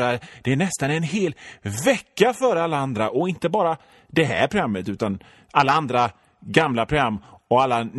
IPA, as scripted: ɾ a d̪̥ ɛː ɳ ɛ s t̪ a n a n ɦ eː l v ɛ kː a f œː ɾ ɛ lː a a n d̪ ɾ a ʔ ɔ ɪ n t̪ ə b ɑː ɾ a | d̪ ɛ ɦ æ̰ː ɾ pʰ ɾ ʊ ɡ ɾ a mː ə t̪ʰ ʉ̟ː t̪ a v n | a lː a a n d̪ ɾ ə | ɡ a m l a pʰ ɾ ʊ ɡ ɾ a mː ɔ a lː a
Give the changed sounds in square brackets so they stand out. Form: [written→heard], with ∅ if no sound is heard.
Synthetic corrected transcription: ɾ a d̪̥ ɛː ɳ ɛ s t̪ a n [a→ɛ] n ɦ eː l v ɛ kː a f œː ɾ [ɛ→a] lː a a n d̪ ɾ a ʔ ɔ ɪ n t̪ ə b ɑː ɾ a | d̪ ɛ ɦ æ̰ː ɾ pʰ ɾ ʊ ɡ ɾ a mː ə [t̪ʰ→t̪] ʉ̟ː t̪ a [v→∅] n | a lː a a n d̪ ɾ [ə→a] | ɡ a m l a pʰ ɾ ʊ ɡ ɾ a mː ɔ a lː a